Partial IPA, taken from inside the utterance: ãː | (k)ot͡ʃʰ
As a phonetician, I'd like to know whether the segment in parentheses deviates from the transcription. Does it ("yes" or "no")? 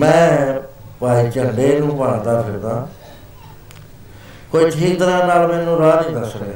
no